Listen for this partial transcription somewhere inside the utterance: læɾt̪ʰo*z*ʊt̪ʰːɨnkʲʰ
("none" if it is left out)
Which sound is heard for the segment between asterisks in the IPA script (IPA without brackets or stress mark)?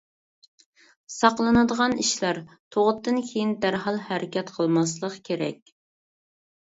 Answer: ʁ